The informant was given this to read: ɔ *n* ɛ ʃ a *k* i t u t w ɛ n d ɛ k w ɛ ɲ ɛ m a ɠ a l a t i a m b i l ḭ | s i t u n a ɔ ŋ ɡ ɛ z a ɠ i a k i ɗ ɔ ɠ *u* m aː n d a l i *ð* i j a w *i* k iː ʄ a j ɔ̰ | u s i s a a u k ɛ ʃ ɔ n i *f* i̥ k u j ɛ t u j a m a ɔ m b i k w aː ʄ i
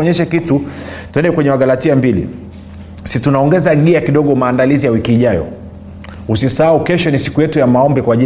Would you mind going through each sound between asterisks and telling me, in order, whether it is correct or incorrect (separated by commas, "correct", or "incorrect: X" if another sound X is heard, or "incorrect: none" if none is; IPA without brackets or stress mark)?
incorrect: ɲ, correct, incorrect: ɔ, incorrect: z, correct, incorrect: s